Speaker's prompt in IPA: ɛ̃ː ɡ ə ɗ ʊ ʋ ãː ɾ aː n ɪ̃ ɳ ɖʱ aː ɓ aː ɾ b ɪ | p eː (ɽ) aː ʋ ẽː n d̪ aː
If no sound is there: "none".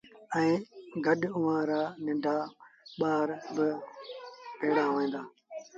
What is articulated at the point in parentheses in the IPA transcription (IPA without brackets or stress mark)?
ɽ